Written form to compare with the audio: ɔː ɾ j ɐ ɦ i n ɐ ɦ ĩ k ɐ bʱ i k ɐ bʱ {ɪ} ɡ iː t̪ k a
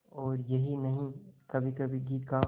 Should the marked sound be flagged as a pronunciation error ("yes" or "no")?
yes